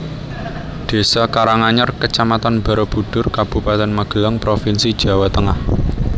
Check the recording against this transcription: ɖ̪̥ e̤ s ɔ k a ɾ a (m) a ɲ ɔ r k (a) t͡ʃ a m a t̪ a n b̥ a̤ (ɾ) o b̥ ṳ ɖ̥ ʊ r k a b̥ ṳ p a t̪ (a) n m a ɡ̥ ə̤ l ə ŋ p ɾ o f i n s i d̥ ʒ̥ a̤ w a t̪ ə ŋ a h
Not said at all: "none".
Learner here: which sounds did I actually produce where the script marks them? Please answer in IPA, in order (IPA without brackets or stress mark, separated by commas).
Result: ŋ, ə, ɾ, ɛ